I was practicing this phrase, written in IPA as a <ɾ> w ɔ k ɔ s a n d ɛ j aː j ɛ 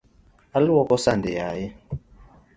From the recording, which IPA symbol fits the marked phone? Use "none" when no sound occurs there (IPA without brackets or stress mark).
l